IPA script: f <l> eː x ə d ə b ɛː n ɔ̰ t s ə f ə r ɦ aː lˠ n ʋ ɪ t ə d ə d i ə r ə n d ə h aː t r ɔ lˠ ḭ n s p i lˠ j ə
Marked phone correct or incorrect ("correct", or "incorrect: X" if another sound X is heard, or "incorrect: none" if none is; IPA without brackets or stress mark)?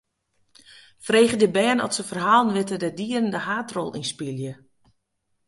incorrect: r